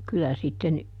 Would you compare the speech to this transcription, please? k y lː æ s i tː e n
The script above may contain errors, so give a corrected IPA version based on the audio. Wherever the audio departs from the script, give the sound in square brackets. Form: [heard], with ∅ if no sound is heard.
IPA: k y [l] æ s i tː e n